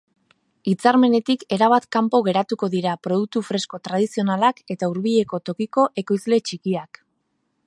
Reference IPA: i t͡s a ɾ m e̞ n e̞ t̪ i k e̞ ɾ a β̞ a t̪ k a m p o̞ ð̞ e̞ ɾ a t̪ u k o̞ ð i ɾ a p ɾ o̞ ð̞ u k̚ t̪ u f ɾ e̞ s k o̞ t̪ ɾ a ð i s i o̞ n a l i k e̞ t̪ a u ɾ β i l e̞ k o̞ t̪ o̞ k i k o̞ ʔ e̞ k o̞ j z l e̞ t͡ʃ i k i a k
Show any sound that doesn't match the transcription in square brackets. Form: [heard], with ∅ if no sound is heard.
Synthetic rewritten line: i t͡s a ɾ m e̞ n e̞ t̪ i k e̞ ɾ a β̞ a t̪ k a m p o̞ [ɣ̞] e̞ ɾ a t̪ u k o̞ ð i ɾ a p ɾ o̞ ð̞ u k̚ t̪ u f ɾ e̞ s k o̞ t̪ ɾ a ð i s i o̞ n a l [a] k e̞ t̪ a u ɾ β i [ʎ] e̞ k o̞ t̪ o̞ k i k o̞ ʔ e̞ k o̞ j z l e̞ t͡ʃ i k i a k